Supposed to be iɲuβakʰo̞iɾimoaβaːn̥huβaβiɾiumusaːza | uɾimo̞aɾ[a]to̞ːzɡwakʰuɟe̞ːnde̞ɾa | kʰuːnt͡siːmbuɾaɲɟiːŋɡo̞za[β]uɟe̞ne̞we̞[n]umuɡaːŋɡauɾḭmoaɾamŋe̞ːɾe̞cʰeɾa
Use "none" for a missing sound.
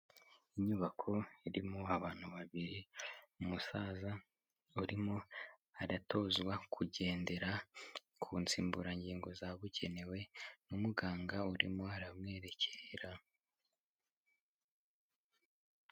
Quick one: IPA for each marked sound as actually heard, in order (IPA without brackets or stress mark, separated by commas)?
a, β, n